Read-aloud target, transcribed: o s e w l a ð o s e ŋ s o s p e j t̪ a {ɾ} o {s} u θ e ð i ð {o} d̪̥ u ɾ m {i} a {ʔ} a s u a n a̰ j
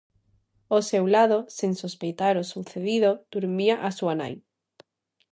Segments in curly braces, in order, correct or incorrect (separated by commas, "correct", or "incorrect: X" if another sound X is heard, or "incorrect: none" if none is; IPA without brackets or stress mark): correct, correct, correct, correct, correct